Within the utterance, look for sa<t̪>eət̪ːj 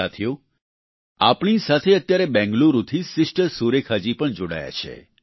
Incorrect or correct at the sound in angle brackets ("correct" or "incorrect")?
incorrect